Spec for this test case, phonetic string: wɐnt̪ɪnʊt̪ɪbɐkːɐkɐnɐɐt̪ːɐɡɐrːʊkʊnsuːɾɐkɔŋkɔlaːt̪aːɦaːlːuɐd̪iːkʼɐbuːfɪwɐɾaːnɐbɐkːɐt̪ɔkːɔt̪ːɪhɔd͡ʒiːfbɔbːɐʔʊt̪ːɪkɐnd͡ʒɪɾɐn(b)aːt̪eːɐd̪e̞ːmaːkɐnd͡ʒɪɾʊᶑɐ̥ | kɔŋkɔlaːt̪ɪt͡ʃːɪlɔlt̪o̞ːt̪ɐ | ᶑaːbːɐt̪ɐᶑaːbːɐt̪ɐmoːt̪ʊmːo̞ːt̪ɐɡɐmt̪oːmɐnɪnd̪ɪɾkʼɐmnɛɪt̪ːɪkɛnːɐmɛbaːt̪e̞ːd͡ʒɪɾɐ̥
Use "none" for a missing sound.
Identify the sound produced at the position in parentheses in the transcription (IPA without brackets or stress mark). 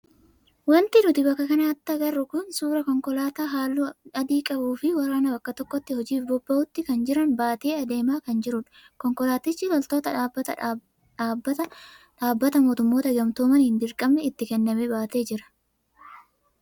b